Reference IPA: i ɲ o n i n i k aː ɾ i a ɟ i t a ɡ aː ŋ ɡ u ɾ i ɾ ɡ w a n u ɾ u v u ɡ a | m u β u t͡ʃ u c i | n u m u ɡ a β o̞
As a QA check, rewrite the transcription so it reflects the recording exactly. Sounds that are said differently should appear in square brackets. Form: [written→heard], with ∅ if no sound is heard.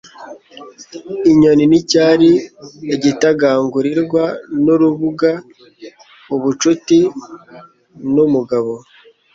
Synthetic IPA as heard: i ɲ o n i n i [k→c] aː ɾ i [a→e] ɟ i t a ɡ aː ŋ ɡ u ɾ i ɾ ɡ w a n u ɾ u [v→β] u ɡ a | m u β u t͡ʃ u [c→t] i | n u m u ɡ a β o̞

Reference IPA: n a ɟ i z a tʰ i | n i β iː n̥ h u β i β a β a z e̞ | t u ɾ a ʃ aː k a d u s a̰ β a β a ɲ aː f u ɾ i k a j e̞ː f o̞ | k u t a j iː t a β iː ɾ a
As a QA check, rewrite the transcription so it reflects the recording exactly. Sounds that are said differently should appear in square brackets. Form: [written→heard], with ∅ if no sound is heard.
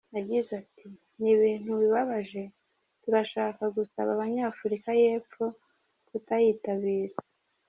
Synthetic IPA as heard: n a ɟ i z a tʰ i | n i β iː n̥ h u β i β a β a [z→ʒ] e̞ | t u ɾ a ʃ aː k a [d→ɡ] u s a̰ β a β a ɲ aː f u ɾ i k a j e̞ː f o̞ | k u t a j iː t a β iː ɾ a

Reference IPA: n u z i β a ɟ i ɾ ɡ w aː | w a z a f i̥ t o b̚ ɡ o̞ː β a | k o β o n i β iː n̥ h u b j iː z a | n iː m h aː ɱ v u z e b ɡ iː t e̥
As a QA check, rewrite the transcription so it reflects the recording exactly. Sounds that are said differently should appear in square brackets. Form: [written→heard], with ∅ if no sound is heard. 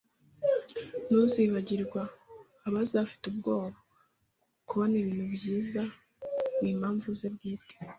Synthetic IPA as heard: n u z i β a ɟ i ɾ ɡ w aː | [w→β] a z a f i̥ t [o→u] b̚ ɡ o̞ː β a | k [o→u] β o n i β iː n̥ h u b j iː z a | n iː m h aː ɱ v u z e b ɡ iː t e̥

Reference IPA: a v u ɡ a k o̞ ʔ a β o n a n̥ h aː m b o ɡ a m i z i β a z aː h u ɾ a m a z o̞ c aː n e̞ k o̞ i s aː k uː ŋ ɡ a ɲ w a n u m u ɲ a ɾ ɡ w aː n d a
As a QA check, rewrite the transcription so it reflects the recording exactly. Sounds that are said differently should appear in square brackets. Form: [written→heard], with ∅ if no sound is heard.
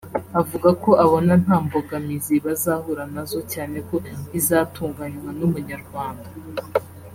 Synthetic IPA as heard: a v u ɡ a k o̞ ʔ a β o n a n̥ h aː m b o ɡ a m i z i β a z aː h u ɾ a [m→n] a z o̞ c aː n e̞ k o̞ i [s→z] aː [k→t] uː ŋ ɡ a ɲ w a n u m u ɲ a ɾ ɡ w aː n d a

